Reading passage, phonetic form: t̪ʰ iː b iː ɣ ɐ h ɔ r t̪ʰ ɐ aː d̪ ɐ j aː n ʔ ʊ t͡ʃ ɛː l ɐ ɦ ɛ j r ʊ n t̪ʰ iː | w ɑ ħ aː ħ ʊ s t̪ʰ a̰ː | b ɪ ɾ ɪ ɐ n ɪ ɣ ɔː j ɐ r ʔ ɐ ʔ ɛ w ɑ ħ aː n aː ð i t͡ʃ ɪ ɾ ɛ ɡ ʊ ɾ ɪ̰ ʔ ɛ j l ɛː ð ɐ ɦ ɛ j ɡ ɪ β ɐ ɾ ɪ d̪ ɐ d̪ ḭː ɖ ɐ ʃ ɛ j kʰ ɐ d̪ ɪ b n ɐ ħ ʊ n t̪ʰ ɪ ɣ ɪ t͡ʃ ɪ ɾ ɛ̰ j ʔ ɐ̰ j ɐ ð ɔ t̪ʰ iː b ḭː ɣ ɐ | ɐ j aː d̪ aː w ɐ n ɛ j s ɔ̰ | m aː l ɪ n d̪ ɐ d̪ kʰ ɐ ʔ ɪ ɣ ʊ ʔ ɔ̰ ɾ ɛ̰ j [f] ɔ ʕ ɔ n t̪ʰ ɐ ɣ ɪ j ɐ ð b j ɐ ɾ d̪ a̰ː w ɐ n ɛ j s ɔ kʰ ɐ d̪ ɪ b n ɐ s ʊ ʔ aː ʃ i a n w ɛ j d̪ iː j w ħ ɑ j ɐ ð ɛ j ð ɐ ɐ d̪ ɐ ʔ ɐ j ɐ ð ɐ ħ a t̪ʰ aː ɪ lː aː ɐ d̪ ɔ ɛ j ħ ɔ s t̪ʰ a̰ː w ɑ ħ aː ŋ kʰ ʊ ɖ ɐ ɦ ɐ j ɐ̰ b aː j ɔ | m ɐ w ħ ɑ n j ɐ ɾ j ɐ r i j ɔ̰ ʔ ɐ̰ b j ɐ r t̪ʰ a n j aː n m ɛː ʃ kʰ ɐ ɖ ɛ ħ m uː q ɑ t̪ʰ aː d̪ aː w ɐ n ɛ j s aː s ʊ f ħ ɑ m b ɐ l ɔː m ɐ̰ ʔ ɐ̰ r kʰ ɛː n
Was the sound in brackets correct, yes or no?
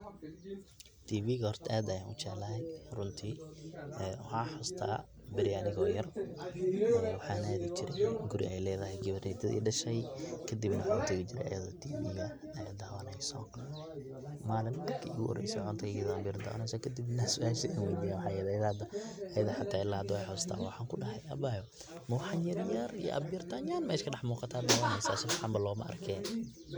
no